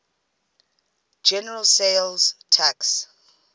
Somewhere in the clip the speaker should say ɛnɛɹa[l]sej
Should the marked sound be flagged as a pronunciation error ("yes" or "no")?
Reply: no